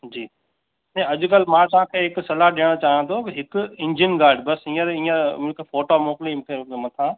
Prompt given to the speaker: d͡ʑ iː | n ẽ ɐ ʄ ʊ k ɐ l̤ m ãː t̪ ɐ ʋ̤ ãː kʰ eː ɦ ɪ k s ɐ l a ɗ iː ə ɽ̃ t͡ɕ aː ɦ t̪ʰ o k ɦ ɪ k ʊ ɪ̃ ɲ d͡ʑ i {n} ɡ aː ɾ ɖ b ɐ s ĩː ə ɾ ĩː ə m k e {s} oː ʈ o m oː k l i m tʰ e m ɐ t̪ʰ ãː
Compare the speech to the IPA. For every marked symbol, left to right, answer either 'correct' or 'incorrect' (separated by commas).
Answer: correct, incorrect